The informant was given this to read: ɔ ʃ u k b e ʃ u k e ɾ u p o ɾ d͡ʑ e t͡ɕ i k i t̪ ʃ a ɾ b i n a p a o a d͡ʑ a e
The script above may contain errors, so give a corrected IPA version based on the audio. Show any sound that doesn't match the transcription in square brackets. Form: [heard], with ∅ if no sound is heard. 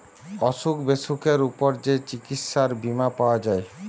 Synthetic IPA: ɔ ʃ u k b e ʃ u k e ɾ u p o ɾ d͡ʑ e t͡ɕ i k i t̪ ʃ a ɾ b i [m] a p a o a d͡ʑ a e